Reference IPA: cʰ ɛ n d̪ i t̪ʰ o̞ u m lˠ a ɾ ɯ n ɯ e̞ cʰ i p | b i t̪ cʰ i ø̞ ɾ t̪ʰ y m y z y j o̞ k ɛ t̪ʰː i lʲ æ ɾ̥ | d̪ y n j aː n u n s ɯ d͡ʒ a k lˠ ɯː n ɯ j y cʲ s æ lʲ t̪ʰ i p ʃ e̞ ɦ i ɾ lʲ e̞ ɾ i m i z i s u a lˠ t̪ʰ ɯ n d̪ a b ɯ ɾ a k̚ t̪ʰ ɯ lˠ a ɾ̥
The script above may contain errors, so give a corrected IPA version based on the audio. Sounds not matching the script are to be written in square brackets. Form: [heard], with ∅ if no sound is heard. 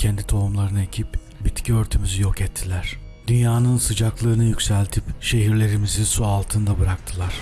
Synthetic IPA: cʰ ɛ n d̪ i t̪ʰ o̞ u m lˠ a ɾ ɯ n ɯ e̞ cʰ i p | b i t̪ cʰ i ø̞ ɾ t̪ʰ y m y z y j o̞ k ɛ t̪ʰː i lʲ æ ɾ̥ | d̪ y n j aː n [ɯ] n s ɯ d͡ʒ a k lˠ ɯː n ɯ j y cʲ s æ lʲ t̪ʰ i p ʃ e̞ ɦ i ɾ lʲ e̞ ɾ i m i z i s u a lˠ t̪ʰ ɯ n d̪ a b ɯ ɾ a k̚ t̪ʰ ɯ lˠ a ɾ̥